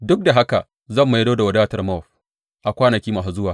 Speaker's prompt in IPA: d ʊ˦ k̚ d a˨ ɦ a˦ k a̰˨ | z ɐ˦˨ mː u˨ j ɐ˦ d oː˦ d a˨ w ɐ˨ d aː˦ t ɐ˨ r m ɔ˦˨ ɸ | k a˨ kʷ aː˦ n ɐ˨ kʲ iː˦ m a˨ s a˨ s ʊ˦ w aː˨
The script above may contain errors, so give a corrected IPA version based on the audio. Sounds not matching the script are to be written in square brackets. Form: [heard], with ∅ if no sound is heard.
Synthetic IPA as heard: d ʊ˦ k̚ d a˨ ɦ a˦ k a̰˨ | z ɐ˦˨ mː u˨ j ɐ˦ d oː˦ d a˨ w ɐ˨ d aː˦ t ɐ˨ r m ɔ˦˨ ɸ | [ʔ] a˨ kʷ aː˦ n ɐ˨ kʲ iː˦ m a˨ s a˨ [z] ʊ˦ w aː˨